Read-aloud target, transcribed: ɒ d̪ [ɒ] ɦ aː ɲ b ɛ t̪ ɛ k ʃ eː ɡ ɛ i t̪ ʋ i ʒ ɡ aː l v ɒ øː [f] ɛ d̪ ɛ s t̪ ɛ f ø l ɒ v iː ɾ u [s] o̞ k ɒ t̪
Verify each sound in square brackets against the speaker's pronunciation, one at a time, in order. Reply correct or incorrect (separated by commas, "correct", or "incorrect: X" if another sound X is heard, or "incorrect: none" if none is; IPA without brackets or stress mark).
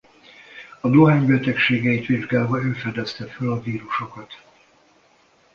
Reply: incorrect: o, correct, incorrect: ʃ